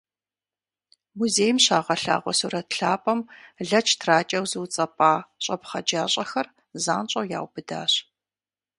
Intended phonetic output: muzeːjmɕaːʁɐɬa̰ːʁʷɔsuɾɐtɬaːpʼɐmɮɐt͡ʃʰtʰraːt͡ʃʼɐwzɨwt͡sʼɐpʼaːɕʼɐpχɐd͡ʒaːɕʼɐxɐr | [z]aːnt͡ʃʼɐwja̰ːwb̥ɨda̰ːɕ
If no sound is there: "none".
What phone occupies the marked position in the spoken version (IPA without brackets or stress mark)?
z